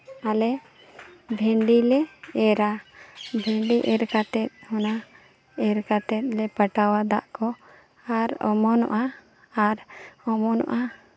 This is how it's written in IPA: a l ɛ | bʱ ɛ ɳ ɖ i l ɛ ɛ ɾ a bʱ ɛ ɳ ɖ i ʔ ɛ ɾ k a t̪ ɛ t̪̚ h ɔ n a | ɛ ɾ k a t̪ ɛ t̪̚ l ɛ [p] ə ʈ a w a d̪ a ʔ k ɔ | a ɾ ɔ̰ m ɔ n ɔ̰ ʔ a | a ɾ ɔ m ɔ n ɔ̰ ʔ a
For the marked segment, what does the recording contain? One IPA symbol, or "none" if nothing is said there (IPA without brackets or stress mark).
p